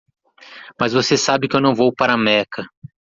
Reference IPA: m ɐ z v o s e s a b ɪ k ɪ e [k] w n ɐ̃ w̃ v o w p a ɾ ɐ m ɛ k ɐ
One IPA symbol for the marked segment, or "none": none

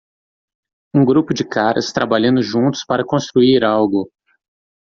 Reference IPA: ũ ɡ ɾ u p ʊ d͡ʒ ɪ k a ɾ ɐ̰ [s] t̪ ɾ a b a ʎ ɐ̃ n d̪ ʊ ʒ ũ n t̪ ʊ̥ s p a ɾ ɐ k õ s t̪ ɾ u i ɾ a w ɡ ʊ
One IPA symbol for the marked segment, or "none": s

